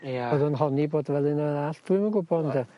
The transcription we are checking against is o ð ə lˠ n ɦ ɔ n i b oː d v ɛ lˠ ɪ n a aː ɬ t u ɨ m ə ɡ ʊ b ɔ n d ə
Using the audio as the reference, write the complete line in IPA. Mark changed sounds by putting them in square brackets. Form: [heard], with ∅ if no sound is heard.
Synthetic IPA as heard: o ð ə [∅] n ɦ ɔ n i b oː d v ɛ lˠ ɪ n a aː ɬ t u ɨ m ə ɡ ʊ b ɔ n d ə